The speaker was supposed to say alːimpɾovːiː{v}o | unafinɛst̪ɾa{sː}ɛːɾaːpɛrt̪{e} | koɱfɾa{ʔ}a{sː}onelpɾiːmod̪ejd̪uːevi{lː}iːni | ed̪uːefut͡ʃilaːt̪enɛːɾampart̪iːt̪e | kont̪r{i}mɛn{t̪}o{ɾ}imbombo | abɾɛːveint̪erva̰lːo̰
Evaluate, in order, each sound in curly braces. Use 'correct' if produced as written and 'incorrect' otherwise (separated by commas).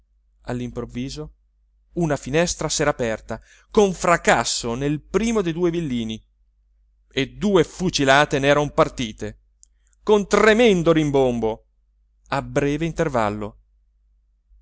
incorrect, incorrect, incorrect, incorrect, correct, correct, incorrect, incorrect, correct